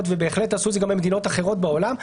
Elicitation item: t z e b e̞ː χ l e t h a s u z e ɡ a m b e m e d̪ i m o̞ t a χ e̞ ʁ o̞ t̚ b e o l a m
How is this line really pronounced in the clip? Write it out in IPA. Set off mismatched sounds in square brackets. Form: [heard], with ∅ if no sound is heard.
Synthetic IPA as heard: t [v] e b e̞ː χ l e t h a s u z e ɡ a m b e m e d̪ i [n] o̞ t a χ e̞ ʁ o̞ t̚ b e o l a m